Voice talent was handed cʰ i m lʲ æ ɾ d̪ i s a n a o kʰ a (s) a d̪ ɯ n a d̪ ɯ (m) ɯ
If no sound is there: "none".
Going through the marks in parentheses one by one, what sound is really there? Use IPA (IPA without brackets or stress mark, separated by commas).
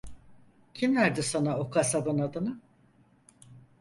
s, n